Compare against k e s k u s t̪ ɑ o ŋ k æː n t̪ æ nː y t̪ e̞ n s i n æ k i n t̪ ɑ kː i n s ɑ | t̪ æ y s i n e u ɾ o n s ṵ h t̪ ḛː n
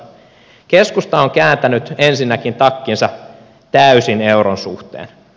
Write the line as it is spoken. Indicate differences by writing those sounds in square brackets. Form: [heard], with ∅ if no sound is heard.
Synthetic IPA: k e s k u s t̪ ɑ o ŋ k æː n t̪ æ [n] y t̪ e̞ n s i [nː] æ k i n t̪ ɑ kː i n s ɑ | t̪ æ y s i n e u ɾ o n s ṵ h t̪ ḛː n